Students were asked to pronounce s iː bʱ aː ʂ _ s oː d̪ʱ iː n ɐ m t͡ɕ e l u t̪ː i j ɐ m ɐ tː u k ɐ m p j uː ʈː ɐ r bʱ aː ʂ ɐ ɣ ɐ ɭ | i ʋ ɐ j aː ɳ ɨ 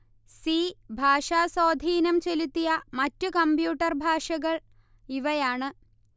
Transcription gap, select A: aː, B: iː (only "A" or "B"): A